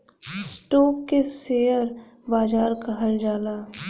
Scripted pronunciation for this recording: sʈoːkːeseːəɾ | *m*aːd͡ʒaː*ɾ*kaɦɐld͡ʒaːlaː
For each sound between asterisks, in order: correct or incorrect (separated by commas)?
incorrect, correct